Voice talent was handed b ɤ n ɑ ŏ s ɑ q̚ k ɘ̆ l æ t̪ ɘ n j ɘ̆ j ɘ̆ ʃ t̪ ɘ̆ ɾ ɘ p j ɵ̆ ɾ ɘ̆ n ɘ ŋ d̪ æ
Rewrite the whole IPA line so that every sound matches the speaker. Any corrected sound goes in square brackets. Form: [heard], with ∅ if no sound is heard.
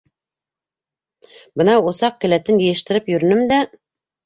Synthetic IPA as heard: b ɤ n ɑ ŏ s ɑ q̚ k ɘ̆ l æ t̪ ɘ n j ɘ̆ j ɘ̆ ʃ t̪ ɘ̆ ɾ ɘ p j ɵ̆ ɾ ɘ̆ n ɘ [m] d̪ æ